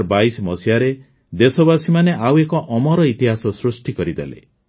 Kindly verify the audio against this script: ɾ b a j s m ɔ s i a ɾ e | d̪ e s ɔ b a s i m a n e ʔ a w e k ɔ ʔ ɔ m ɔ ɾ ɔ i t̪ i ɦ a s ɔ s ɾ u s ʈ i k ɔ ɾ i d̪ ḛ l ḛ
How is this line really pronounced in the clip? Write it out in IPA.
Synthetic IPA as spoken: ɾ b a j s m ɔ s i a ɾ e | d̪ e s ɔ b a s i m a n e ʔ a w e k ɔ ʔ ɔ m ɔ ɾ ɔ i t̪ i ɦ a s ɔ s ɾ u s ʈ i k ɔ ɾ i d̪ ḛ l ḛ